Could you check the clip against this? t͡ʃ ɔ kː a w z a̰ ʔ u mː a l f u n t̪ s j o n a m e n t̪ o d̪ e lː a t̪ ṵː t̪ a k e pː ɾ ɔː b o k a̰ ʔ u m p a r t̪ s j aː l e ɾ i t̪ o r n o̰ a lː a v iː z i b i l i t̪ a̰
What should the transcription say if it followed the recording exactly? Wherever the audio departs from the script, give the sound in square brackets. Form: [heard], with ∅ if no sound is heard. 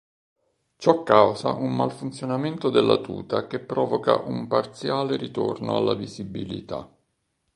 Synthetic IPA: t͡ʃ ɔ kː a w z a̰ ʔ u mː a l f u n t̪ s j o n a m e n t̪ o d̪ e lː a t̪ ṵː t̪ a k e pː ɾ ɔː [v] o k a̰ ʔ u m p a r t̪ s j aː l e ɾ i t̪ o r n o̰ a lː a v [i] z i b i l i t̪ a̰